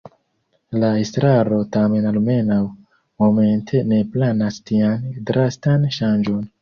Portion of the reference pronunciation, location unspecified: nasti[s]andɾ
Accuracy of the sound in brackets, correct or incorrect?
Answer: incorrect